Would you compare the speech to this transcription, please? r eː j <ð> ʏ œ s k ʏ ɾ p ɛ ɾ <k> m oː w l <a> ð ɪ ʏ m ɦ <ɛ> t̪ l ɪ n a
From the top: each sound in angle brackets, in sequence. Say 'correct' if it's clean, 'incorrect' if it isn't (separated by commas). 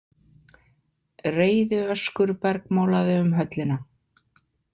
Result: correct, correct, correct, incorrect